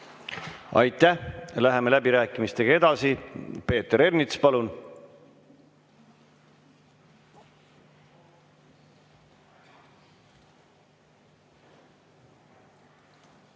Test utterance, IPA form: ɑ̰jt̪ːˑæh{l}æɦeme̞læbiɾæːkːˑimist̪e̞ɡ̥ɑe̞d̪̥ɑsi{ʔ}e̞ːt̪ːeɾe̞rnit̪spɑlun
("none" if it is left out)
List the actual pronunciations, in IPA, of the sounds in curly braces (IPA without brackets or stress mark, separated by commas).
l, p